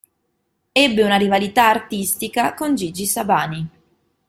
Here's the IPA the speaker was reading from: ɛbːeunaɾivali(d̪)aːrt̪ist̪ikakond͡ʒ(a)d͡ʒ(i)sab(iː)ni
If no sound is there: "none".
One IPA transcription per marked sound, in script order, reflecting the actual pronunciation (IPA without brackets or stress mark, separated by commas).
t̪, i, i, aː